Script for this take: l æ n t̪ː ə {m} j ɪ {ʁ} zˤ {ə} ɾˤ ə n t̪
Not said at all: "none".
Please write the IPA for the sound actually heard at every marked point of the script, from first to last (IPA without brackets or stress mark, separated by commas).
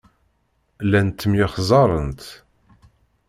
m, χ, ɑ